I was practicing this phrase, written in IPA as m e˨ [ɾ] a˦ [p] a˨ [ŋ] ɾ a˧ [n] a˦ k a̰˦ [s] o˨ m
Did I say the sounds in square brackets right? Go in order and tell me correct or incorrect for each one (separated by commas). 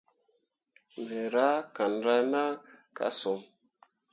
correct, incorrect, incorrect, correct, correct